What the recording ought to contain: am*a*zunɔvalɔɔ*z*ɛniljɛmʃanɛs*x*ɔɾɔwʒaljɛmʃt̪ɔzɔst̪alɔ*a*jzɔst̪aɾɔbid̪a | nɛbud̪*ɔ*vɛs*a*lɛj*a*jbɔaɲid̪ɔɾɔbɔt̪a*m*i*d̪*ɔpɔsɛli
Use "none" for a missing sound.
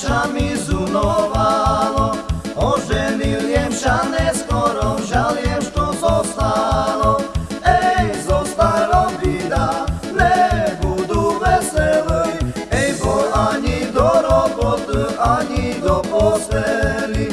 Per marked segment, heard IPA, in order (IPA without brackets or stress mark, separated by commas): i, ʒ, k, ɛ, u, ɛ, ɛ, ɲ, d̪